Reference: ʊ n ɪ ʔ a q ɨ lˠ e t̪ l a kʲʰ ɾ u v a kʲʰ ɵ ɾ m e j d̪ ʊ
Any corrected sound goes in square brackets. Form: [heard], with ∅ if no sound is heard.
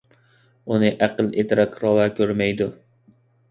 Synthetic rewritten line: ʊ n ɪ ʔ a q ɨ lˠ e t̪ [ɾ] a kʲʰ ɾ [ɒ] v a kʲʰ ɵ ɾ m [a] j d̪ ʊ